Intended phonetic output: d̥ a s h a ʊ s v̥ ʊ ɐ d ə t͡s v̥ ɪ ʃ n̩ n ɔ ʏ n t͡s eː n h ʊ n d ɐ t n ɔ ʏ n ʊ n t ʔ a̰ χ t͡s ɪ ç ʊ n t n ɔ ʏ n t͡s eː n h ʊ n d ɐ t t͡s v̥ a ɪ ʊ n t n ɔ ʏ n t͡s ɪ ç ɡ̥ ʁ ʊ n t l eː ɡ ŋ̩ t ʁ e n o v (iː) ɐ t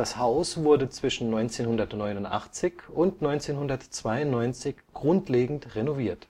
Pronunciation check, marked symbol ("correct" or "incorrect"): correct